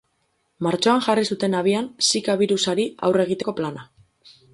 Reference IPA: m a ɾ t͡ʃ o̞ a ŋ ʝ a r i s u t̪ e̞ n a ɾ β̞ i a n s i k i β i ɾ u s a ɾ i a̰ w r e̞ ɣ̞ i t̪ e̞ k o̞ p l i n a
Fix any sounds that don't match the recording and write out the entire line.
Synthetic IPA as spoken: m a ɾ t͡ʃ o̞ a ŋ ʝ a r i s u t̪ e̞ n a β̞ i a n s i k a β i ɾ u s a ɾ i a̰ w r e̞ ɣ̞ i t̪ e̞ k o̞ p l a n a